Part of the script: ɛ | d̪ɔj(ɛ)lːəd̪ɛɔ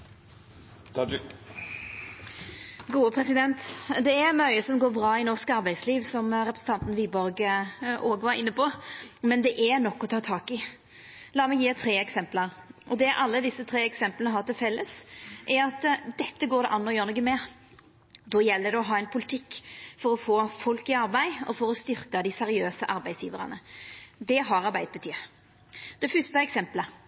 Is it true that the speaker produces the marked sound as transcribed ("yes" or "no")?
yes